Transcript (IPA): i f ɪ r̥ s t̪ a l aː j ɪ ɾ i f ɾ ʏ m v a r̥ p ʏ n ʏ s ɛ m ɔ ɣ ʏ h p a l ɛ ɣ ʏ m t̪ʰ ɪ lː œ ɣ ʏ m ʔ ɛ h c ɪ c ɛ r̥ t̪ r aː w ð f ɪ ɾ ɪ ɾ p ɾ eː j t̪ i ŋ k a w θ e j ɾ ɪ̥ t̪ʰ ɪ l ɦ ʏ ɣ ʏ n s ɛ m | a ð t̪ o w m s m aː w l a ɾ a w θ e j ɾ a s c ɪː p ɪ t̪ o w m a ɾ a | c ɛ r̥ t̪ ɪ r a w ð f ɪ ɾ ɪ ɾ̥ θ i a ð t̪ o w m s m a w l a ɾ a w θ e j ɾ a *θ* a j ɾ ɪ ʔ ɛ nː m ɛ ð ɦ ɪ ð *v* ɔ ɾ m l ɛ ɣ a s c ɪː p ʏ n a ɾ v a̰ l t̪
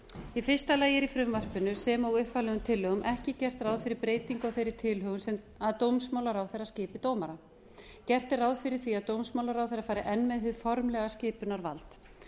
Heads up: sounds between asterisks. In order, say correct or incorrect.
incorrect: f, incorrect: f

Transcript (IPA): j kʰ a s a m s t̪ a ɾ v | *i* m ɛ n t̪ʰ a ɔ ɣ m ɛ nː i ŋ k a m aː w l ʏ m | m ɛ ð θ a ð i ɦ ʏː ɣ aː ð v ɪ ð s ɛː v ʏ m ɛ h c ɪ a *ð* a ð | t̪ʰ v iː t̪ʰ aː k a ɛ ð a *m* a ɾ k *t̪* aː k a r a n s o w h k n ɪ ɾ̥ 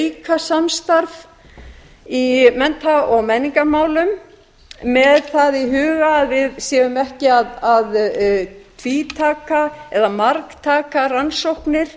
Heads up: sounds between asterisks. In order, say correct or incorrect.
correct, correct, correct, incorrect: t̪ʰ

